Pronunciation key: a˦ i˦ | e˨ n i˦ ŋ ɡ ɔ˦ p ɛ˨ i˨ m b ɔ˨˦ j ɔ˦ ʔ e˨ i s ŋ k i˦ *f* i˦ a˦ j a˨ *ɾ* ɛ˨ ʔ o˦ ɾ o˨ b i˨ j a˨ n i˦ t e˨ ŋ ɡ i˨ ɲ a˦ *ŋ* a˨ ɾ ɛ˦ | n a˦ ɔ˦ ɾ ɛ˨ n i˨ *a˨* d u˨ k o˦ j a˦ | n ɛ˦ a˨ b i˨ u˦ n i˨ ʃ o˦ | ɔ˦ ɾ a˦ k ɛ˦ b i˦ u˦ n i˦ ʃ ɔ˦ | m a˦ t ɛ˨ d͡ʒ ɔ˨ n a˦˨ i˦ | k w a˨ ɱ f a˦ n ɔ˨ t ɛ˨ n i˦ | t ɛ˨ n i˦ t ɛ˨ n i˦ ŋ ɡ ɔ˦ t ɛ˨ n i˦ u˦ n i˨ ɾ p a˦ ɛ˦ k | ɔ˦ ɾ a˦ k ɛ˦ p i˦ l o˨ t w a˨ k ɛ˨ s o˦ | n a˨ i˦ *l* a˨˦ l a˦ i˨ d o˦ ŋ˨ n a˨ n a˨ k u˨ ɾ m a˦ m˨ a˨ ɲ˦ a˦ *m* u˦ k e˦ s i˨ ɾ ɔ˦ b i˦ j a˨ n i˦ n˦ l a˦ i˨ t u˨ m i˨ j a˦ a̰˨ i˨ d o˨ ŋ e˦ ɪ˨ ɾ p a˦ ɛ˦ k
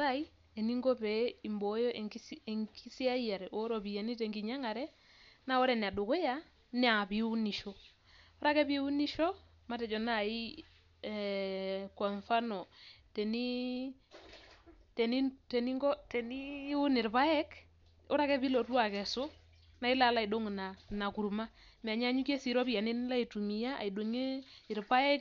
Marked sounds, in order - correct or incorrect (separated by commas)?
incorrect, correct, correct, correct, correct, incorrect